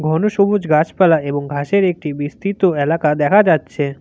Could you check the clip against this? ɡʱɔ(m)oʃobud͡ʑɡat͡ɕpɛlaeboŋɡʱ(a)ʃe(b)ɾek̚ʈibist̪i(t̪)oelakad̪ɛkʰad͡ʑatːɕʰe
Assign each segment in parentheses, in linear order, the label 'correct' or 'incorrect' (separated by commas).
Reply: incorrect, correct, incorrect, correct